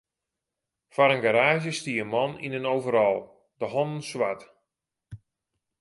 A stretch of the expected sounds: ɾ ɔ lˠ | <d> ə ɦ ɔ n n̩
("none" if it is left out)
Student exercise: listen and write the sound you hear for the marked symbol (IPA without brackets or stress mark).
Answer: d